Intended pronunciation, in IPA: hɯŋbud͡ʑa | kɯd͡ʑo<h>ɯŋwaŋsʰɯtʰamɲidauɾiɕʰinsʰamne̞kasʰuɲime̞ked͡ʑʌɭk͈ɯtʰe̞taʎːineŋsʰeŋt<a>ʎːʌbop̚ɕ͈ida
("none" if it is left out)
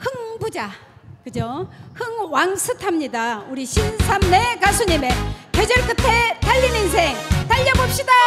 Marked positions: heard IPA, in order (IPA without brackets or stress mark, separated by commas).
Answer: h, a